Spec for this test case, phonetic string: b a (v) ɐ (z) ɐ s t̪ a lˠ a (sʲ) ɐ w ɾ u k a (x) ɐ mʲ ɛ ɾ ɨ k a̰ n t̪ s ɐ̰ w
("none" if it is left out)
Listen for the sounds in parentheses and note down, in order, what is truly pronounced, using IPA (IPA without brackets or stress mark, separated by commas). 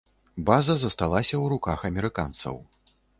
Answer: z, z, sʲ, x